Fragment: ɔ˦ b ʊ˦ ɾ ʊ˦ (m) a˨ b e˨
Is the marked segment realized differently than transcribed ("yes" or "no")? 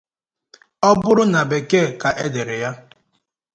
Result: yes